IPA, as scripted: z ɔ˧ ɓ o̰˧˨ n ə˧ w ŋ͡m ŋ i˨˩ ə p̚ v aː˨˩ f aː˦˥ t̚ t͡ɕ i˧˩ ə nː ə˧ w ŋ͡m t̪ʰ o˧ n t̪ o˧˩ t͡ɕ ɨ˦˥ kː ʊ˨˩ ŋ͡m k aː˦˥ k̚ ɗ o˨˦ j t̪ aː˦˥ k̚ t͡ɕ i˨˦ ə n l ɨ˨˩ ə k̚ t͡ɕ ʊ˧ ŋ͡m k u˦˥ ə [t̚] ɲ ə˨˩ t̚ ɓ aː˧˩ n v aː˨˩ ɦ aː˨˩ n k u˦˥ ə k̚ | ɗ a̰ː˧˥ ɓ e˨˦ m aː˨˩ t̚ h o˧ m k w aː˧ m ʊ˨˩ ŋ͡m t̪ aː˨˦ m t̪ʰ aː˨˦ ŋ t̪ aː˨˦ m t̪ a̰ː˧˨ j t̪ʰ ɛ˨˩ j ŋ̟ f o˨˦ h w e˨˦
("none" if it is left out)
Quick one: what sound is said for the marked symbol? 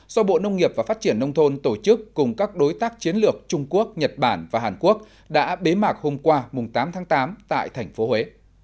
k̚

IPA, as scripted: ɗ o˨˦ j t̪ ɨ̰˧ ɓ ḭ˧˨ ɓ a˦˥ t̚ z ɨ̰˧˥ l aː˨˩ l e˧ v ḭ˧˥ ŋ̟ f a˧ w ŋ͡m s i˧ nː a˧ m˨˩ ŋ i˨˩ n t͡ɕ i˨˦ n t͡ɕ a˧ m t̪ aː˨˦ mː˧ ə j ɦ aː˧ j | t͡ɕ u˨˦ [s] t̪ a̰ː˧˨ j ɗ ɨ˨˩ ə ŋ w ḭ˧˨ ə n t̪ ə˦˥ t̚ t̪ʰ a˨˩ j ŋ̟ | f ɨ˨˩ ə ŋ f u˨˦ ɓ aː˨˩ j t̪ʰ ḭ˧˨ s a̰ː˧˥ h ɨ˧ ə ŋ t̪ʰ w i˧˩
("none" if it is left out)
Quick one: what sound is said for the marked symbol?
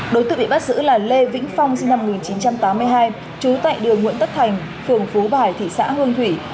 none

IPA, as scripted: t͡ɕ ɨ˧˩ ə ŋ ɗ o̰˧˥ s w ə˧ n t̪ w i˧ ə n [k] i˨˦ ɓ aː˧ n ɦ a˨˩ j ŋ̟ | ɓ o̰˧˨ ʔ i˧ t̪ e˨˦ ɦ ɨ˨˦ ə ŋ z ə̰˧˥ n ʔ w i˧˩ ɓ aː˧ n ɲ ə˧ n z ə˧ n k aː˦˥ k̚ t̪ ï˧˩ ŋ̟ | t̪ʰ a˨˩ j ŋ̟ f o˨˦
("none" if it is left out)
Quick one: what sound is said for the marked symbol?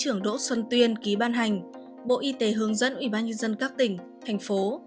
k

